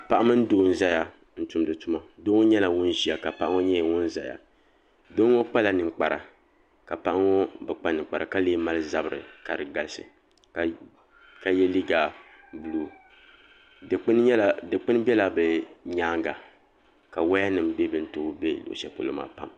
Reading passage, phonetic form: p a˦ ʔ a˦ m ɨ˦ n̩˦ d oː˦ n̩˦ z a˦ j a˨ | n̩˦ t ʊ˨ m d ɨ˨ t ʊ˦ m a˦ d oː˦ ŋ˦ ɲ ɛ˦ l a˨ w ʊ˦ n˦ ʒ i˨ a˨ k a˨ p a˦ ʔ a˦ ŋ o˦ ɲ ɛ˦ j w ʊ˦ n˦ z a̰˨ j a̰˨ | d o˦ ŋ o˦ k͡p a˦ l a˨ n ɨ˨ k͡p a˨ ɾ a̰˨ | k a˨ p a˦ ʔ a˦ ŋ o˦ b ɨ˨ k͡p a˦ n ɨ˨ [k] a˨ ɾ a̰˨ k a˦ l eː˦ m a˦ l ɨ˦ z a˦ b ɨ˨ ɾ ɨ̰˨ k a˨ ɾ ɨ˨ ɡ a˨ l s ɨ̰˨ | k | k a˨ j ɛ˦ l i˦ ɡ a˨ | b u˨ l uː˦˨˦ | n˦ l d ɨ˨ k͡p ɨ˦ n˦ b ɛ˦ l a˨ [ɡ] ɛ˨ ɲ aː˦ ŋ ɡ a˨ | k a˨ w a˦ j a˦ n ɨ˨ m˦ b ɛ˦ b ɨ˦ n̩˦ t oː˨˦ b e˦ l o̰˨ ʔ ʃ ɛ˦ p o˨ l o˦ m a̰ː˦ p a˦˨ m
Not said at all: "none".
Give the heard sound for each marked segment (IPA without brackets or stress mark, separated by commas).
k͡p, b